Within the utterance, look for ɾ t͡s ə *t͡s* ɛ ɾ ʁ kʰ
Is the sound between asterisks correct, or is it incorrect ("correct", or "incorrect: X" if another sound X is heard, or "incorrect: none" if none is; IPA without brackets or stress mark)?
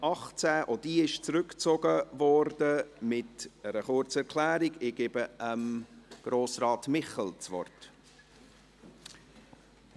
incorrect: none